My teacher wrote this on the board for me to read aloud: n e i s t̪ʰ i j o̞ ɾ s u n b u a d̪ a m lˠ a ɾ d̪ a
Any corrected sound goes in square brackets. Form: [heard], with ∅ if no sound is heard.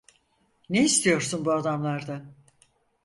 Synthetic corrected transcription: n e i s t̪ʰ i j o̞ ɾ s u n b u a d̪ a m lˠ a ɾ d̪ a